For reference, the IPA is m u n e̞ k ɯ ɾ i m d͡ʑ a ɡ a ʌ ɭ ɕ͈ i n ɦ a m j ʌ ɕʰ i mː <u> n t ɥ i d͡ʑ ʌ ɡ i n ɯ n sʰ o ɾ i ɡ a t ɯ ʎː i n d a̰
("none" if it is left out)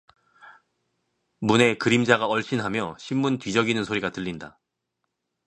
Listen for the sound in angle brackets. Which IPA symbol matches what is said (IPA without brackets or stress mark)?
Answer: u